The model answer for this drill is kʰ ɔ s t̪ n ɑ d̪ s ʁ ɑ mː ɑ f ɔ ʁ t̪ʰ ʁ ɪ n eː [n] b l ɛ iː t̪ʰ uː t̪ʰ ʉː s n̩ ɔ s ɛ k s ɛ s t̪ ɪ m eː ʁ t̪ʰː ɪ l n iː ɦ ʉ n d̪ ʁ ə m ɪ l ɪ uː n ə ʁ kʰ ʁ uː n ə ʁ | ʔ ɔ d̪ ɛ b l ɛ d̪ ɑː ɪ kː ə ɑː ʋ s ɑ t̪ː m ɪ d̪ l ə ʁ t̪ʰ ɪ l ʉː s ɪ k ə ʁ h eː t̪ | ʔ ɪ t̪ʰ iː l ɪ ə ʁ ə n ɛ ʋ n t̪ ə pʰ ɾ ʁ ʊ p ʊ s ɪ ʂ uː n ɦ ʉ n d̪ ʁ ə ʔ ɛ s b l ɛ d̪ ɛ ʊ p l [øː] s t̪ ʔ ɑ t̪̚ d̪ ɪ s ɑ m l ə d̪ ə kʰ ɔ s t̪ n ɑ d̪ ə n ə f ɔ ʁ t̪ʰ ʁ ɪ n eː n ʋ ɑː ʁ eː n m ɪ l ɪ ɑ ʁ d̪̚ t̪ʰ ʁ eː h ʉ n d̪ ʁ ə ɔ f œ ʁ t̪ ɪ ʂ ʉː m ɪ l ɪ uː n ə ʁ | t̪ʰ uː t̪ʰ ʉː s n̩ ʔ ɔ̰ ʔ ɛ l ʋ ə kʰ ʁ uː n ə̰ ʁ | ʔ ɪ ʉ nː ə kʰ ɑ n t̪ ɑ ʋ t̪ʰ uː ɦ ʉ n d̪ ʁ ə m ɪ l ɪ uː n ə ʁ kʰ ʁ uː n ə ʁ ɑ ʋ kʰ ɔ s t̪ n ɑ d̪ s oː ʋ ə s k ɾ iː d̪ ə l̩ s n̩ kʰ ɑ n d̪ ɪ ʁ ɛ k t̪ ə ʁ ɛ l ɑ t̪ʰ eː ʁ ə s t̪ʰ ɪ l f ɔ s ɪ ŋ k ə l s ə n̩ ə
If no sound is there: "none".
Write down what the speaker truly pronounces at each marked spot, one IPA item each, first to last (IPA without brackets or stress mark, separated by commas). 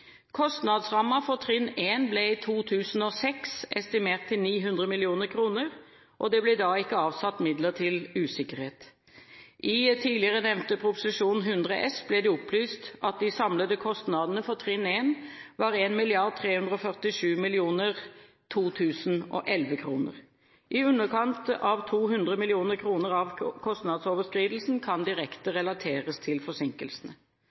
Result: n, yː